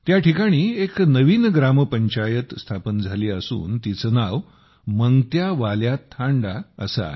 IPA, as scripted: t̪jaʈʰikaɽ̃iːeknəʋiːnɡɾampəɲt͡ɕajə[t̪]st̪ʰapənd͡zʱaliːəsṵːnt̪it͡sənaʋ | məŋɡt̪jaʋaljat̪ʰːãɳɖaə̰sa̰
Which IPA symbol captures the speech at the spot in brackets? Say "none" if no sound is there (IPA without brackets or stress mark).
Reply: t̪